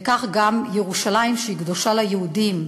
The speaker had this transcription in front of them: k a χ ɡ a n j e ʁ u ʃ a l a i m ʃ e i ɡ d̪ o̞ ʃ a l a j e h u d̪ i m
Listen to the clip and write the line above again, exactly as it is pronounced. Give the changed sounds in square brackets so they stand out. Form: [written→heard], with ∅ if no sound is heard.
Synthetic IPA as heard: k a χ ɡ a [n→m] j e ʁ u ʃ a l a i m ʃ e i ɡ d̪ o̞ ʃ a l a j e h u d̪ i m